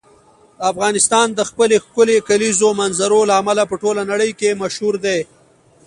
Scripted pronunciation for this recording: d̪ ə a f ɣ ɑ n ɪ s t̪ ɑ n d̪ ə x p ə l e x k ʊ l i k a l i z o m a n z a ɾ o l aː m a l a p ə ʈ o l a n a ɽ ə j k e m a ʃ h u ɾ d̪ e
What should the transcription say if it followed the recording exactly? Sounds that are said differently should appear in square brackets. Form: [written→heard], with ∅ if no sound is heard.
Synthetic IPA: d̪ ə a f ɣ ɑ n ɪ s t̪ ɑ n d̪ ə x p ə l e x k ʊ l [i→e] k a l i z o m a n z a ɾ o l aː m a l a p ə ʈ o l a n a ɽ ə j k e m a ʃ h u ɾ d̪ e